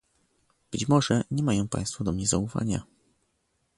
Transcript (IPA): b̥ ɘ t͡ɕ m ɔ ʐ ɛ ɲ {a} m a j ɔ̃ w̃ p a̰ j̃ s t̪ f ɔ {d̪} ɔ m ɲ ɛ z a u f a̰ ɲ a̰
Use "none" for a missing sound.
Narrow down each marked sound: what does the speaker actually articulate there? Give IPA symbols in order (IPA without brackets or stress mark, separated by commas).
ɛ, d̪